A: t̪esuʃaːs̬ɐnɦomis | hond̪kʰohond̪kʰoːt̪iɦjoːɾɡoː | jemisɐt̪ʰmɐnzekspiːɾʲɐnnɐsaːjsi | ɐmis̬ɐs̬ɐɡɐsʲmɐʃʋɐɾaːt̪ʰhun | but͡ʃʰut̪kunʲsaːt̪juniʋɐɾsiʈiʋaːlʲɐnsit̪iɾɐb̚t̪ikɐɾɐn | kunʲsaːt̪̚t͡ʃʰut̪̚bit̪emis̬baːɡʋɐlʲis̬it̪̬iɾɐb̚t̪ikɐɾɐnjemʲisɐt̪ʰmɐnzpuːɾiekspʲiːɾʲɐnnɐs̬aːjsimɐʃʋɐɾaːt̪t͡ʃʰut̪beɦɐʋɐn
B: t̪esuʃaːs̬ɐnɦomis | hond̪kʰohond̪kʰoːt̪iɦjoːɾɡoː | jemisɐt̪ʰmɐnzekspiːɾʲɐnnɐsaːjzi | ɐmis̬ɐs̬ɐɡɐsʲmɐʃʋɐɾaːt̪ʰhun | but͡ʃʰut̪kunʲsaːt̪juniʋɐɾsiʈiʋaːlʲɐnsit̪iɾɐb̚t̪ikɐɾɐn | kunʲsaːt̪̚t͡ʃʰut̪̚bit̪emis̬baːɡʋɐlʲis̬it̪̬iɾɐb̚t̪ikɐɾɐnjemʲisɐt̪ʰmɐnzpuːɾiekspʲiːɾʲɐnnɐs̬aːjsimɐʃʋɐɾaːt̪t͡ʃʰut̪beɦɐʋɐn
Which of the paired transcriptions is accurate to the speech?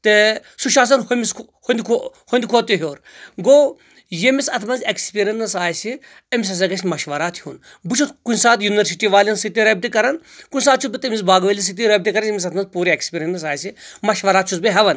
A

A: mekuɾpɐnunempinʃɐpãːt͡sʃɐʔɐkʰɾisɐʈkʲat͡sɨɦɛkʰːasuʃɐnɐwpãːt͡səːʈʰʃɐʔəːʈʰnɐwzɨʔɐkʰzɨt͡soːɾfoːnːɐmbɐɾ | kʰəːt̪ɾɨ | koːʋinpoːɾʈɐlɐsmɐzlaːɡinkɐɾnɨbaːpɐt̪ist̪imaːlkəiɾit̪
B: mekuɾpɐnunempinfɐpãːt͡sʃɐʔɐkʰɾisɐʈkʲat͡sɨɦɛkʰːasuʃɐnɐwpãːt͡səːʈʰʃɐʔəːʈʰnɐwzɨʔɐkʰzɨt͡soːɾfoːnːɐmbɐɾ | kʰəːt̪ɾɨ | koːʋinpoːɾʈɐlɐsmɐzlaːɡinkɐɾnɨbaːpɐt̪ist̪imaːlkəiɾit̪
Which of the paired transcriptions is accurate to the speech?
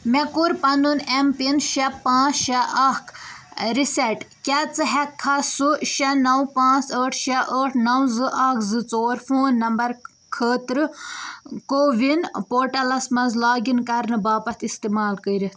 A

